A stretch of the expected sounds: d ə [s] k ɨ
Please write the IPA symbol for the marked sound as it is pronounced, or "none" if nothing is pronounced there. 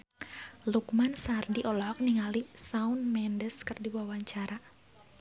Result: s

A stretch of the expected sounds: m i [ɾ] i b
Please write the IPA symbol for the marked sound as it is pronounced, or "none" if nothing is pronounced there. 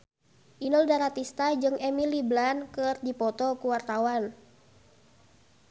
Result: l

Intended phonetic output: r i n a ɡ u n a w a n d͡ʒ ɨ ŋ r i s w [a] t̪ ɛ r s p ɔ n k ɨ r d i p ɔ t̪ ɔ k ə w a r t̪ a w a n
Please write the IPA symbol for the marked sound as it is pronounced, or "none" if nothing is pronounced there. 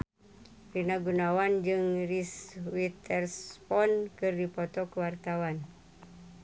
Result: i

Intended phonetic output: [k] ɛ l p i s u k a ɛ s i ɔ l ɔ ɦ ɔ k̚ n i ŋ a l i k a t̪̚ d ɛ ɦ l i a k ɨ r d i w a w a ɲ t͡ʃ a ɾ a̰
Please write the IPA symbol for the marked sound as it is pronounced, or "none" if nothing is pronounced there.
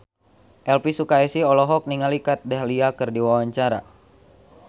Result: ʔ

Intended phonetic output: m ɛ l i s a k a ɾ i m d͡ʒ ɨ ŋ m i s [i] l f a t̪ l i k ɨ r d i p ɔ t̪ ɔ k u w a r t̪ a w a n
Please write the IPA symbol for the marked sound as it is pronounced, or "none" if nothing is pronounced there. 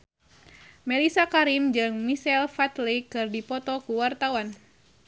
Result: ɛ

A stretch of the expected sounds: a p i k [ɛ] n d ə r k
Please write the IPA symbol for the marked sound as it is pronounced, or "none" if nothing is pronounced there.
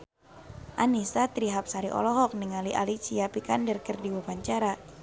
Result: a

